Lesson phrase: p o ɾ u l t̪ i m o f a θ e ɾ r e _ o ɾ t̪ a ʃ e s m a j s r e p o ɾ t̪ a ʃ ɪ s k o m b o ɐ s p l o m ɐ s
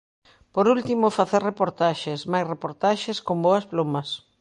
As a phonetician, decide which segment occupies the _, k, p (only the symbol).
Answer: p